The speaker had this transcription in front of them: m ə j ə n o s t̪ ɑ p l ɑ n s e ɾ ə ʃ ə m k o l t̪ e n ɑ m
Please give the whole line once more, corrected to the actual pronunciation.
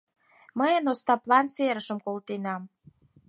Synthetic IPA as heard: m ə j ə n o s t̪ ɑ p l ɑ n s e ɾ ə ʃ ə m k o l t̪ e n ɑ m